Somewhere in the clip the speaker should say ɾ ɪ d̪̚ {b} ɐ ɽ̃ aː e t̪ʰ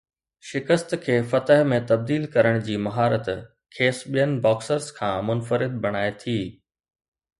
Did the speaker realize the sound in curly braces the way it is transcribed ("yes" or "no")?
yes